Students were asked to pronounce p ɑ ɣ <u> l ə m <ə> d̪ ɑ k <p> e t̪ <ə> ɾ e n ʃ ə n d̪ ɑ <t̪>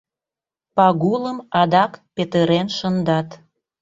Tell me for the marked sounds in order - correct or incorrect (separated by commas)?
correct, incorrect, correct, correct, correct